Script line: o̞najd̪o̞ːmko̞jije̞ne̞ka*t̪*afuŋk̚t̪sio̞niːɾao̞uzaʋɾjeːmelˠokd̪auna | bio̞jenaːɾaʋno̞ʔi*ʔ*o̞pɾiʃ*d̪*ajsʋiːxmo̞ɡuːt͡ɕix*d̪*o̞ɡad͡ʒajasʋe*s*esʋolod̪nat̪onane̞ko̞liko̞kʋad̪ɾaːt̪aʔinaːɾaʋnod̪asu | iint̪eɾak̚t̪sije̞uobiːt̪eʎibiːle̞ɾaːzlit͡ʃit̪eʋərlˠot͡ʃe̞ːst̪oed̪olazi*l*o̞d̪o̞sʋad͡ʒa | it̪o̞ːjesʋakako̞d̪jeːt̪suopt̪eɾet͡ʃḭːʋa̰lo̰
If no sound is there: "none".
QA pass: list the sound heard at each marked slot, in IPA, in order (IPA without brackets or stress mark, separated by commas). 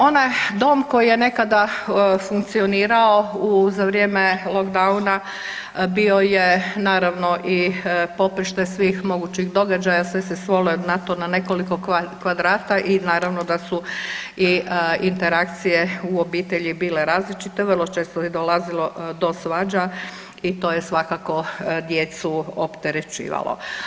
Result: d̪, p, t̪, d̪, s, l